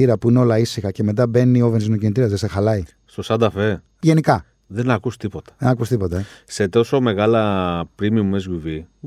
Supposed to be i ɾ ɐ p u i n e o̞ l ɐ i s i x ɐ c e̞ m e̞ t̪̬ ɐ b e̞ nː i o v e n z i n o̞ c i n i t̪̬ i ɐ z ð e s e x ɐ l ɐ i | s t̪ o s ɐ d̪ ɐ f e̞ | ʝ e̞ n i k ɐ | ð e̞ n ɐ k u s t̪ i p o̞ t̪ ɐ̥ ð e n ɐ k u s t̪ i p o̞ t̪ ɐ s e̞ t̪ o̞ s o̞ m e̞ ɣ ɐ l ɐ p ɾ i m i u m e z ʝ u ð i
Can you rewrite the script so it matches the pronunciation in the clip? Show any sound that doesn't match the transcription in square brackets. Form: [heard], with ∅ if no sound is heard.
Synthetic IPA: i ɾ ɐ p u i n e o̞ l ɐ i s i x ɐ c e̞ m e̞ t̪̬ ɐ b e̞ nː i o v e n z i n o̞ c i n i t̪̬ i ɐ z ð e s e x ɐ l ɐ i | s t̪ o s ɐ d̪ ɐ f e̞ | ʝ e̞ n i k ɐ | ð e̞ n ɐ k u s t̪ i p o̞ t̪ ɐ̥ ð e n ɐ k u s t̪ i p o̞ t̪ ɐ s e̞ t̪ o̞ s o̞ m e̞ ɣ ɐ l ɐ p ɾ i m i u m e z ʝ u [v] i